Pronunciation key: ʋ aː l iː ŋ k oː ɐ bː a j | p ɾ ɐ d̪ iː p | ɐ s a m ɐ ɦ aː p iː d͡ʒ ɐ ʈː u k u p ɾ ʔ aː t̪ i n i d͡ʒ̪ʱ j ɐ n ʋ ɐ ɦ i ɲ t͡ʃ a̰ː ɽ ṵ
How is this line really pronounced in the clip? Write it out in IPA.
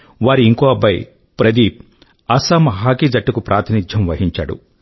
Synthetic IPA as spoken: ʋ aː ɾ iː ŋ k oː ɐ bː ɐ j | p ɾ ɐ d̪ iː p | ɐ s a m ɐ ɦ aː k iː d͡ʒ ɐ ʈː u k u p ɾ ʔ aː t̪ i n i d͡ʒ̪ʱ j ɐ m ʋ ɐ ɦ i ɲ t͡ʃ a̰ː ɽ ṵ

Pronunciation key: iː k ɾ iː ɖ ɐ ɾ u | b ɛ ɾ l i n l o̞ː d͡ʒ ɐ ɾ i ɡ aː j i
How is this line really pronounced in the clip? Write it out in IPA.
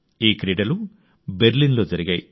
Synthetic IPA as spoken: iː k ɾ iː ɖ ɐ l u | b e ɾ l i n l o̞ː d͡ʒ ɐ ɾ i ɡ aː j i

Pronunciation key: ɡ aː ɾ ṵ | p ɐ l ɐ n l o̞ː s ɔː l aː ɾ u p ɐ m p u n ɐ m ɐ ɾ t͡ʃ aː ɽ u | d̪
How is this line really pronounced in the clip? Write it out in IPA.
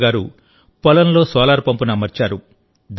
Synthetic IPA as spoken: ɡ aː ɾ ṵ | p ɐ l ɐ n l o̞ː s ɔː l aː ɾ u p ɐ m p u n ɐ m ɐ ɾ t͡ʃ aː ɾ u | d̪

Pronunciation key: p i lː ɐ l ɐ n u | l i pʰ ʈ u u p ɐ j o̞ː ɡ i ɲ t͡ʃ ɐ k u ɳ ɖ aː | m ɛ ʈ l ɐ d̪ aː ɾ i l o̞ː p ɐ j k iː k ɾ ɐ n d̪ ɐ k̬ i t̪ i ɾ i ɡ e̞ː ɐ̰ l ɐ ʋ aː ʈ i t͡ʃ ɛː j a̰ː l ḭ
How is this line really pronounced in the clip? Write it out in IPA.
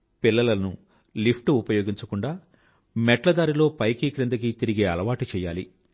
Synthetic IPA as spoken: p i lː ɐ l ɐ n u | l i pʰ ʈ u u p ɐ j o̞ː ɡ i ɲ t͡ʃ ɐ k u ɳ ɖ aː | m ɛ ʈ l ɐ d̪ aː ɾ i l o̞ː p ɐ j k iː k ɾ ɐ n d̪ ɐ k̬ i t̪ i ɾ i ɡ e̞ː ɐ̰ l ɐ ʋ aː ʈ i t͡ʃ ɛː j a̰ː l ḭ

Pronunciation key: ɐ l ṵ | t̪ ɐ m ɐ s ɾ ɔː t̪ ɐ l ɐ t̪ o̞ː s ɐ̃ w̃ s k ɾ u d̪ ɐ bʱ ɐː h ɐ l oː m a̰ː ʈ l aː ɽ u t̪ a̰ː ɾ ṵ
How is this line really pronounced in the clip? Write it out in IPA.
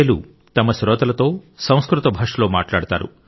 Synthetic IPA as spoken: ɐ l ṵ | t̪ ɐ m ɐ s ɾ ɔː t̪ ɐ l ɐ t̪ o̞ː s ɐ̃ w̃ s k ɾ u t̪ ɐ bʱ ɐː ʂ ɐ l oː m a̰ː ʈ l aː ɽ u t̪ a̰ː ɾ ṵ

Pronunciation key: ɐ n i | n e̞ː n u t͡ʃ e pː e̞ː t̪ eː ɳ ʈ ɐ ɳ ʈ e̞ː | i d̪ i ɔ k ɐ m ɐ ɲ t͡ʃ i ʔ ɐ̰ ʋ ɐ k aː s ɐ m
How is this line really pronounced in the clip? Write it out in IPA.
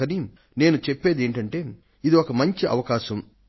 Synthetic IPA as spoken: ɐ n i | n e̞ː n u t͡ʃ e pː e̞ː d̪ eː ɳ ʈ ɐ ɳ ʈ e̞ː | i d̪ i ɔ k ɐ m ɐ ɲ t͡ʃ i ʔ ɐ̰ ʋ ɐ k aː ʃ ɐ m

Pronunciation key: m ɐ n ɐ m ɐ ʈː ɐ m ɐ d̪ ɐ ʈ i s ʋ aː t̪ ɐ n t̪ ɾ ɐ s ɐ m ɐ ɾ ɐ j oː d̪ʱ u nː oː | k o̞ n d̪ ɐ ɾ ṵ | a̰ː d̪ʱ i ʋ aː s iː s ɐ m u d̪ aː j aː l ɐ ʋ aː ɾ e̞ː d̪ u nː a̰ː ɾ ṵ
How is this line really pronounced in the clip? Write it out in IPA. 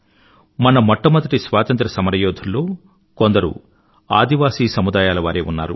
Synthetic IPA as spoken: m ɐ n ɐ m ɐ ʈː ɐ m ɐ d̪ ɐ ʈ i s ʋ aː t̪ ɐ n t̪ ɾ ɐ s ɐ m ɐ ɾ ɐ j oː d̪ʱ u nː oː | k o̞ n d̪ ɐ ɾ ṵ | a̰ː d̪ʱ i ʋ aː s iː s ɐ m u d̪ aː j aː l ɐ ʋ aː ɾ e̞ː u nː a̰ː ɾ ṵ

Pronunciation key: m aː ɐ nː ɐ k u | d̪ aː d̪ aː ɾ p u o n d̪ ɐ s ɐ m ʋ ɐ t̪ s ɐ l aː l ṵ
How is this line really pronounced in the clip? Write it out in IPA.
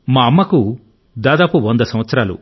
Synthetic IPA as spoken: m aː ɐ mː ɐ k u | d̪ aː d̪ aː p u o n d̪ ɐ s ɐ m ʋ ɐ t̪ s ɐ ɾ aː l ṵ

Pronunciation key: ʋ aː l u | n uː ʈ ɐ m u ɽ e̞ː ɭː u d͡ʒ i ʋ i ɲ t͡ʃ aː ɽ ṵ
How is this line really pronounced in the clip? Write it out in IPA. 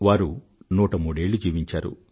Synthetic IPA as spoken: ʋ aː ɾ u | n uː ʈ ɐ m uː ɽ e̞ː ɭː u d͡ʒ iː ʋ i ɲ t͡ʃ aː ɾ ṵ

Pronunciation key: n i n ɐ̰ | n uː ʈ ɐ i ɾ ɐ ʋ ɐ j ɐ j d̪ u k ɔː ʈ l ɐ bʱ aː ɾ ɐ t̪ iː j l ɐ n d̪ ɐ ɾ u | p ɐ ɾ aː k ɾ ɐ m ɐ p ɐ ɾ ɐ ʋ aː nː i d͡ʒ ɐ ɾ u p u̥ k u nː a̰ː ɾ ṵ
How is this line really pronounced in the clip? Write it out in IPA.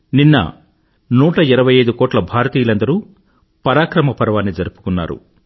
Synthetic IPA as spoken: n i nː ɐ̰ | n uː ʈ ɐ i ɾ ɐ ʋ ɐ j ɐ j d̪ u k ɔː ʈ l ɐ bʱ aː ɾ ɐ t̪ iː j l ɐ n d̪ ɐ ɾ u | p ɐ ɾ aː k ɾ ɐ m ɐ p ɐ ɾ ɐ ʋ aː nː i d͡ʒ ɐ ɾ u p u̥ k u nː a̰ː ɾ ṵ

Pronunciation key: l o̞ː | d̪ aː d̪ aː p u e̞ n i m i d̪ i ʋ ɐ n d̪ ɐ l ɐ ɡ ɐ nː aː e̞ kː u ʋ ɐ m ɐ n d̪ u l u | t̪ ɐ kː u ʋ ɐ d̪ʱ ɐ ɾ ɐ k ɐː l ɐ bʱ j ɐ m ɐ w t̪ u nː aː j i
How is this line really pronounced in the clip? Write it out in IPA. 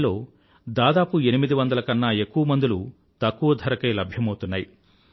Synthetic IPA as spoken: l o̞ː | d̪ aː d̪ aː p u e̞ n i m i d̪ i ʋ ɐ n d̪ ɐ l ɐ k ɐ nː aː e̞ kː u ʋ ɐ m ɐ n d̪ u l u | t̪ ɐ kː u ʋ ɐ d̪ʱ ɐ ɾ ɐ k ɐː l ɐ bʱ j ɐ m ɐ w t̪ u nː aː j i

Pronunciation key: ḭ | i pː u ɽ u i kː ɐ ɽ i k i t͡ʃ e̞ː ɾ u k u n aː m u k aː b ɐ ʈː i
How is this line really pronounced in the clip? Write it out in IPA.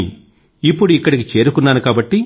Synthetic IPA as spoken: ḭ | i pː u ɽ u i kː ɐ ɽ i k i t͡ʃ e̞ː ɾ u k u nː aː n u k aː b ɐ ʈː i

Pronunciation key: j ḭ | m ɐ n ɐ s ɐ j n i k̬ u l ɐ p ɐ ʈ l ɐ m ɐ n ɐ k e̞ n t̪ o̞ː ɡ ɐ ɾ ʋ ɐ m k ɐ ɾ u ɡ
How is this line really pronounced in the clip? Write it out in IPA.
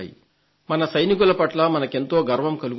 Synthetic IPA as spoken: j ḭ | m ɐ n ɐ s ɐ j n i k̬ u l ɐ p ɐ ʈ l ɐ m ɐ n ɐ k e̞ n t̪ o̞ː ɡ ɐ ɾ ʋ ɐ m k ɐ l u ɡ

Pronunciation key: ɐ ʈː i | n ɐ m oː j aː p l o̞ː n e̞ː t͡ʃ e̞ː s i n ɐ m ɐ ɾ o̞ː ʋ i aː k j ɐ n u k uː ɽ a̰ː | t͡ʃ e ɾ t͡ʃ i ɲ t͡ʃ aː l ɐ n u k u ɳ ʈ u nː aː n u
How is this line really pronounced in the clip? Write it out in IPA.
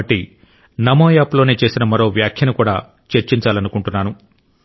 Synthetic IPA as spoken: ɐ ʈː i | n ɐ m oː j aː p l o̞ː n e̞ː t͡ʃ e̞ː s i n ɐ m ɐ ɾ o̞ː ʋ j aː kʰ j ɐ n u k uː ɽ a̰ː | t͡ʃ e ɾ t͡ʃ i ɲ t͡ʃ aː l ɐ n u k u ɳ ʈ u nː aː n u

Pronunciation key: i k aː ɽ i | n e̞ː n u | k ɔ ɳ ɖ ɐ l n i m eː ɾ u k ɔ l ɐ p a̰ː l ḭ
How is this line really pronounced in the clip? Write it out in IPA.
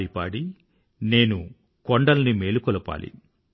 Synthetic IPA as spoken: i p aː ɽ i | n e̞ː n u | k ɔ ɳ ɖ ɐ l n i m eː l u k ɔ l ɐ p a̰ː l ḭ

